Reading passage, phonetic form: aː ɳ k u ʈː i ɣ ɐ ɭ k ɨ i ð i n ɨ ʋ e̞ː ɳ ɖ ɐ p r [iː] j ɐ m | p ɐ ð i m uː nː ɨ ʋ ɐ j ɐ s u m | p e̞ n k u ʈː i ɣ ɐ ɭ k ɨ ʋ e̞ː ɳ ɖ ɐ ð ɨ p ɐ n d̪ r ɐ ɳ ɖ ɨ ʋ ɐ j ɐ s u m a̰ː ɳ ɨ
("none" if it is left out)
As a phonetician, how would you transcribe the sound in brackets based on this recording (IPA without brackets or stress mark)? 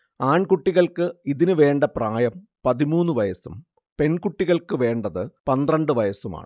aː